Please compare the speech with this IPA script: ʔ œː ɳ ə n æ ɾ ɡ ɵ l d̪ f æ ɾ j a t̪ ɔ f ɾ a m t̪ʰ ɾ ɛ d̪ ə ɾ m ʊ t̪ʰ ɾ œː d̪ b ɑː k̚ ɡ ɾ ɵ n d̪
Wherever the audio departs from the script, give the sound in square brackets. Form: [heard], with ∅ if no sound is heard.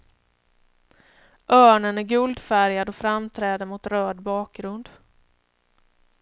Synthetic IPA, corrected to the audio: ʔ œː ɳ ə n æ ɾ ɡ ɵ l d̪ f æ ɾ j a [d̪] ɔ f ɾ a m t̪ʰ ɾ [ɛː] d̪ ə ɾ m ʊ [t̪] ɾ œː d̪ b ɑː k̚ ɡ ɾ ɵ n d̪